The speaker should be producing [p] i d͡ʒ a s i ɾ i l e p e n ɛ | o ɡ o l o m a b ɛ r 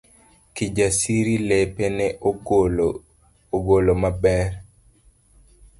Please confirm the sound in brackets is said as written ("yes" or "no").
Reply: no